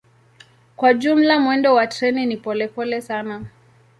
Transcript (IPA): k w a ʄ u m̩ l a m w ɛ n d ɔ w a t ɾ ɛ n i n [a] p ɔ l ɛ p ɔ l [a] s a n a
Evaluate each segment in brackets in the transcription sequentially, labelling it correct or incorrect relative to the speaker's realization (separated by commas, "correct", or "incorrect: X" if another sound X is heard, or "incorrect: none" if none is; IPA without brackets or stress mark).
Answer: incorrect: i, incorrect: ɛ